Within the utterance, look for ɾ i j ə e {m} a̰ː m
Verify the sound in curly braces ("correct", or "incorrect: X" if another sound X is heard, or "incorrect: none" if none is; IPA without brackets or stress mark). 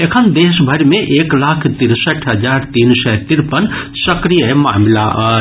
correct